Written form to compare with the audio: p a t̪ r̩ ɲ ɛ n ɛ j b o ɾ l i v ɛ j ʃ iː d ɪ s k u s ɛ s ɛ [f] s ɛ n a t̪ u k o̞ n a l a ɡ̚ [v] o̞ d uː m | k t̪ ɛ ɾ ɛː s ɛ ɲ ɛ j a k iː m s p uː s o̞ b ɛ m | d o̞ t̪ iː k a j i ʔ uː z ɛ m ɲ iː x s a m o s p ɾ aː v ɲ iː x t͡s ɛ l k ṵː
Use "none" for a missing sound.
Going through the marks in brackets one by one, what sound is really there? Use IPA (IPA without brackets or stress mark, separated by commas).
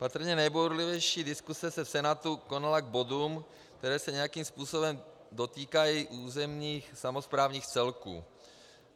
f, b